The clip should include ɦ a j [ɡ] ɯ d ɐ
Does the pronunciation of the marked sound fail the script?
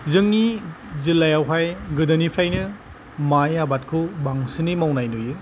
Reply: no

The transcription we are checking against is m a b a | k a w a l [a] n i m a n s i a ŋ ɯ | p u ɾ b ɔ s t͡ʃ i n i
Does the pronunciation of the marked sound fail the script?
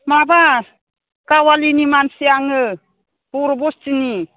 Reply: yes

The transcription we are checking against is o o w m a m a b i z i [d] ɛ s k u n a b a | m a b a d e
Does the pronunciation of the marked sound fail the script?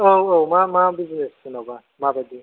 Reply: yes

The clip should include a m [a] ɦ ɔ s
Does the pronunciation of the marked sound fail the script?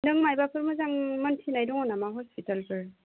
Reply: no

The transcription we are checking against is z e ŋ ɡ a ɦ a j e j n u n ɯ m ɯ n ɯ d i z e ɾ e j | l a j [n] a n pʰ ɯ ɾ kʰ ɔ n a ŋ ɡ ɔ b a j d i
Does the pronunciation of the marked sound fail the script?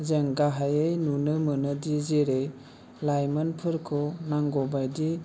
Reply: yes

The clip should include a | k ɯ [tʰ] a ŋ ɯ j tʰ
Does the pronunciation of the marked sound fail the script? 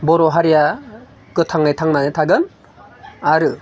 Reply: no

